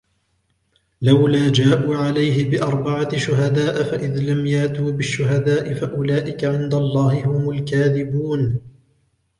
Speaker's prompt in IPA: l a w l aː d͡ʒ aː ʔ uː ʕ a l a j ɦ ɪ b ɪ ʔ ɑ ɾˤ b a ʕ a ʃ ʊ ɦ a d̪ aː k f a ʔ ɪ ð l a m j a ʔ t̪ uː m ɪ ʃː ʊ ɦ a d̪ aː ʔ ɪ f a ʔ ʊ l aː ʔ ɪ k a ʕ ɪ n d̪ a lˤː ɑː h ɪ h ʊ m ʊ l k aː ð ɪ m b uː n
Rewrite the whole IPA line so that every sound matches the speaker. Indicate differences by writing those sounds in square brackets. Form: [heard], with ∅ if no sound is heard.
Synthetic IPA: l a w l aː d͡ʒ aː ʔ uː ʕ a l a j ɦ ɪ b ɪ ʔ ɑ ɾˤ b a ʕ a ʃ ʊ ɦ a d̪ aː [ʔ] f a ʔ ɪ ð l a m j a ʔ t̪ uː [b] ɪ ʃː ʊ ɦ a d̪ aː ʔ ɪ f a ʔ ʊ l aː ʔ ɪ k a ʕ ɪ n d̪ a lˤː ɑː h ɪ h ʊ m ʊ l k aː ð ɪ [∅] b uː n